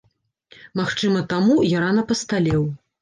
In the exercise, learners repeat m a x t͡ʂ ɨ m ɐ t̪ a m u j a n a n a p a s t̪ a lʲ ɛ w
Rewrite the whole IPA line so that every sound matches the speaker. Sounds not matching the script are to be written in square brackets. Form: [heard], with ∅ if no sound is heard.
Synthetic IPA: m a x t͡ʂ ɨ m ɐ t̪ a m u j a n a n [ɐ] p [ɐ] s t̪ a lʲ ɛ w